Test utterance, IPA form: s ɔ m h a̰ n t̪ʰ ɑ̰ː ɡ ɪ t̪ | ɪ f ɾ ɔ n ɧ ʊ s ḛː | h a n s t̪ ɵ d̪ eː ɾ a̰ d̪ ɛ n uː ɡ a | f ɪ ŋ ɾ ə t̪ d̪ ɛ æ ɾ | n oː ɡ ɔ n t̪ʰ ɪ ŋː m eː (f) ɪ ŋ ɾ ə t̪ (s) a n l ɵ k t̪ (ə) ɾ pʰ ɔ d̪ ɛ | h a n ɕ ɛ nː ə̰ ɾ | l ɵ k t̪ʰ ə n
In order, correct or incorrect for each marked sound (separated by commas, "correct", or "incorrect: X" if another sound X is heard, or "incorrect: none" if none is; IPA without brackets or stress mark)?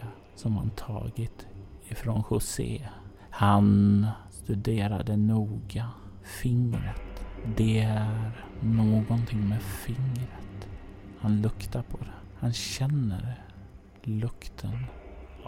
correct, incorrect: h, incorrect: a